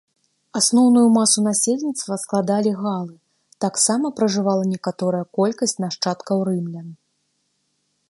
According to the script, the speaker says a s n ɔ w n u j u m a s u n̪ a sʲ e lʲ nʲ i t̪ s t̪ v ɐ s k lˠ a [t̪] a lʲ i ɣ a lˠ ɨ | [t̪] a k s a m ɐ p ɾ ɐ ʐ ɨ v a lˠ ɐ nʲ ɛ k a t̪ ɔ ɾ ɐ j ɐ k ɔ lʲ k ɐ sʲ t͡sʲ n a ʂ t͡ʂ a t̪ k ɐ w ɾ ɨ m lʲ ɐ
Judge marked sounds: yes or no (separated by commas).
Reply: no, yes